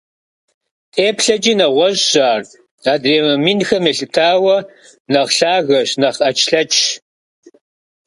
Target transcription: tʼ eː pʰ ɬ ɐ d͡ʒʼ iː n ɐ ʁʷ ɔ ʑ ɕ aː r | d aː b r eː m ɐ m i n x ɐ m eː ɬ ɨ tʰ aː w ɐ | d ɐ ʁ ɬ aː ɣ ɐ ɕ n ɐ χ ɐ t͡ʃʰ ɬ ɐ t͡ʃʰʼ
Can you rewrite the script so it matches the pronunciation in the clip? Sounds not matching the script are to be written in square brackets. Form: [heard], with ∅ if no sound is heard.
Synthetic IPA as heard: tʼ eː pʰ ɬ ɐ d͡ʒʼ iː n ɐ ʁʷ ɔ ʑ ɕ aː r | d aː [d] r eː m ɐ m i n x ɐ m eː ɬ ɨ tʰ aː w ɐ | [n] ɐ ʁ ɬ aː ɣ ɐ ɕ n ɐ χ ɐ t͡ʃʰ ɬ ɐ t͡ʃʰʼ